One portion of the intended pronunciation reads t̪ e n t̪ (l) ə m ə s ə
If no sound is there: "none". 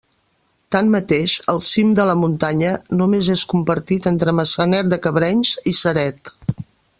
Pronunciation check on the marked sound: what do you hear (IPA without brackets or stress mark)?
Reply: ɾ